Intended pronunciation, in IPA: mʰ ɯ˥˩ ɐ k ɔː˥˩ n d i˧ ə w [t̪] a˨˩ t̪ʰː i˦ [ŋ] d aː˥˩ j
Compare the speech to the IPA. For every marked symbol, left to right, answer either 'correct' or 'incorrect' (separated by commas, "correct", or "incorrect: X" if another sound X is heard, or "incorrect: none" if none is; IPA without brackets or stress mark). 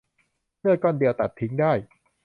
correct, correct